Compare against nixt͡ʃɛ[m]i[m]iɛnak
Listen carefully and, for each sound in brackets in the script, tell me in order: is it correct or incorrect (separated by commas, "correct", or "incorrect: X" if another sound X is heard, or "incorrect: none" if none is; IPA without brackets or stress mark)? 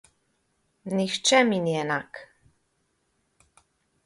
correct, incorrect: n